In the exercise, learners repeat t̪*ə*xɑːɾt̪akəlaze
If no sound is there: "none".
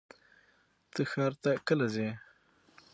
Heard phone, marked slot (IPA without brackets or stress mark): ə